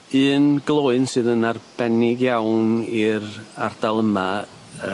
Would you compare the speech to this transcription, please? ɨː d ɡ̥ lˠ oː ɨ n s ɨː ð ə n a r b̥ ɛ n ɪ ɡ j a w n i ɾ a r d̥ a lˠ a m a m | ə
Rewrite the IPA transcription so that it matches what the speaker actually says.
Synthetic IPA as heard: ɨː n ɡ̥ lˠ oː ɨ n s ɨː ð ə n a r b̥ ɛ n ɪ ɡ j a w n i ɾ a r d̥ a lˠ ə m a | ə